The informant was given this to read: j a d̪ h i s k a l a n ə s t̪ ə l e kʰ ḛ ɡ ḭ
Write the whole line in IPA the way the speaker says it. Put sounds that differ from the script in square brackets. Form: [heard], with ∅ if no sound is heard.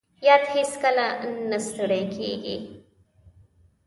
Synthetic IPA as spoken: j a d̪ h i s k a l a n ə s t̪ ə [ɽ] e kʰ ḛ ɡ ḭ